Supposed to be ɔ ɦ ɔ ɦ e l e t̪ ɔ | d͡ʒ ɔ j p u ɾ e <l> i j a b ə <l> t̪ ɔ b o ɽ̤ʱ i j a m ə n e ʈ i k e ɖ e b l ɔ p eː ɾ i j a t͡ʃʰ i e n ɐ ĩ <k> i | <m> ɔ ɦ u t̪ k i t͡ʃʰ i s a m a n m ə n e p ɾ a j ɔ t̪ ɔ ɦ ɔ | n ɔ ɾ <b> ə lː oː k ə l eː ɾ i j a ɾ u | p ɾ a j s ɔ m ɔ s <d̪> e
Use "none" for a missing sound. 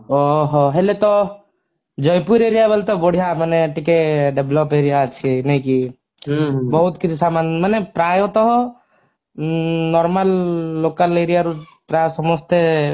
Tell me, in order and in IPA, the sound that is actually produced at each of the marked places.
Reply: ɾ, l, k, b, m, t̪

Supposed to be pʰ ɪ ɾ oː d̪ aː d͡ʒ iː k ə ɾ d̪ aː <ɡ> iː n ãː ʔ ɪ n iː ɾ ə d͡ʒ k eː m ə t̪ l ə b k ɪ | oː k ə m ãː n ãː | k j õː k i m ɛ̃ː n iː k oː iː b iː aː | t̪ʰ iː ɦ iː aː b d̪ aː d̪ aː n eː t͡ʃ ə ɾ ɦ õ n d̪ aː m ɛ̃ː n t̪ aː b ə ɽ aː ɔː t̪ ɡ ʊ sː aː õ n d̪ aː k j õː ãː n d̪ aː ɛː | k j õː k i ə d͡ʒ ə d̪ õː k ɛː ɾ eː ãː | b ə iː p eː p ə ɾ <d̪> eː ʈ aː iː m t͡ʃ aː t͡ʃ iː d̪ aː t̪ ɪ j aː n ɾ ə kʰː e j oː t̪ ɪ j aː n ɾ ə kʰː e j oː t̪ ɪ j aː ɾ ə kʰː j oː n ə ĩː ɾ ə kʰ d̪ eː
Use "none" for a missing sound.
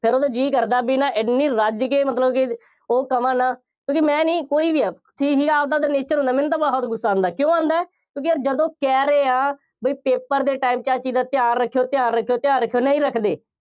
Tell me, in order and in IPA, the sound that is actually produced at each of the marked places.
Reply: b, d̪

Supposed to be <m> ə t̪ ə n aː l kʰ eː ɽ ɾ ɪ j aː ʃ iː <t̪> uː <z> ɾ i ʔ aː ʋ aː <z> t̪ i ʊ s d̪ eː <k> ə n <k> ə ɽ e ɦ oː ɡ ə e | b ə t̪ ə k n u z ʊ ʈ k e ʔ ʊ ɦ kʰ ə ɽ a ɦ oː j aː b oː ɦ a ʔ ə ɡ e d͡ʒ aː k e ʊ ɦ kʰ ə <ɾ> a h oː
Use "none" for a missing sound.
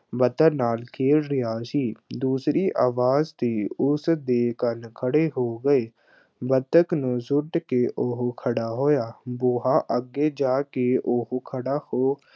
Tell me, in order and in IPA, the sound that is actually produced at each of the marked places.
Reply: b, d̪, s, z, k, kʰ, ɽ

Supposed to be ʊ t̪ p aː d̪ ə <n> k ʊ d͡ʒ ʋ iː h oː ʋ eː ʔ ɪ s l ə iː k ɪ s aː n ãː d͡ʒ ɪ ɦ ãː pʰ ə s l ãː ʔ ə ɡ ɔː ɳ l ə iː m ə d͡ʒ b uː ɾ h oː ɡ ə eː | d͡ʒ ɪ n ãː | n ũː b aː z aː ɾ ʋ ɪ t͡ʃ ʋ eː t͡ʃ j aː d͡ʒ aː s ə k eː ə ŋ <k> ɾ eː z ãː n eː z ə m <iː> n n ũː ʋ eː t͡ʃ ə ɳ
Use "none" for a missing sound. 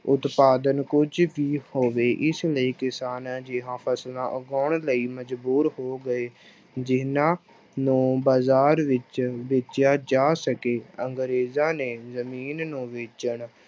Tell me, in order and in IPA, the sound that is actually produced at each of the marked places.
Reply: n, ɡ, iː

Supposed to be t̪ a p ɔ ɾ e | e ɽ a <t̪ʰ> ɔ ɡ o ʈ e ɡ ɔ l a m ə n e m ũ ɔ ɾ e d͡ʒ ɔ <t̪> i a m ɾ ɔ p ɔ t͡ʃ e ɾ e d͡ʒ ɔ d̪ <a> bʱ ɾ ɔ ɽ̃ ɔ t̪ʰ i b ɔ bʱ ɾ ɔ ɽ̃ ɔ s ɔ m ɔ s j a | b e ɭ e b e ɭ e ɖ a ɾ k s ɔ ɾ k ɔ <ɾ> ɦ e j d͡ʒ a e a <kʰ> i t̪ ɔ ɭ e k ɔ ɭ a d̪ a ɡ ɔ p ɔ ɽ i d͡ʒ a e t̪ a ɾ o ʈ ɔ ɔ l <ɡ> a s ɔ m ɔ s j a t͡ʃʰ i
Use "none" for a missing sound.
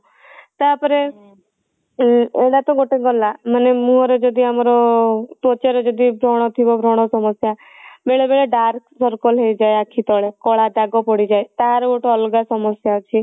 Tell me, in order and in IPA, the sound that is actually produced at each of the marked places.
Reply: t̪, d̪, i, l, kʰ, ɡ

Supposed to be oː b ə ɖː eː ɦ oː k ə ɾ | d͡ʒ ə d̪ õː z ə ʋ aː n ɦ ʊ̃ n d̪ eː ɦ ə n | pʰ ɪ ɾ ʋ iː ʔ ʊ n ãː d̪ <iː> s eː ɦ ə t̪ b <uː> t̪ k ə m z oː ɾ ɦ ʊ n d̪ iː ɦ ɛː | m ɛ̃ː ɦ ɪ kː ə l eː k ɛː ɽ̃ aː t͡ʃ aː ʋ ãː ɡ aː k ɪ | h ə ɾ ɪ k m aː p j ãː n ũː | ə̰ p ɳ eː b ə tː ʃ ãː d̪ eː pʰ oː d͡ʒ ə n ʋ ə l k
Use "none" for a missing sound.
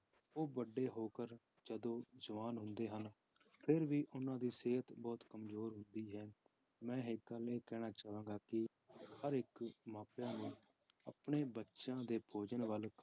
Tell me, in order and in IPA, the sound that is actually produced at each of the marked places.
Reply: iː, ɔː

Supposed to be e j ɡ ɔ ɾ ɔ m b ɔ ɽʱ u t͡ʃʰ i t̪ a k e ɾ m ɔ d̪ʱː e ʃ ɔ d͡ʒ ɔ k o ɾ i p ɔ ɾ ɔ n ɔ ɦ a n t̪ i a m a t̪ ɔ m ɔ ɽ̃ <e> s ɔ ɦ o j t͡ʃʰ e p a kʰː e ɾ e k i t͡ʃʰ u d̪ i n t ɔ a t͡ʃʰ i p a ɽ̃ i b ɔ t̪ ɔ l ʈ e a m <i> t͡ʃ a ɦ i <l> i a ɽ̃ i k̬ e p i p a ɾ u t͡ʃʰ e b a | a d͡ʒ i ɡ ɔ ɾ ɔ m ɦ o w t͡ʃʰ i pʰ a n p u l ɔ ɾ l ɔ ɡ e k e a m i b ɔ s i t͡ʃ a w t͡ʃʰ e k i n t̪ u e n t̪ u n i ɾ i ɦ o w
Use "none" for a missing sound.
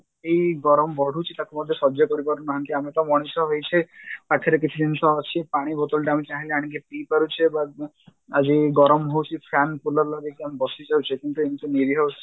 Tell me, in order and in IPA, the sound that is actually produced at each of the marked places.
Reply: i, i, l

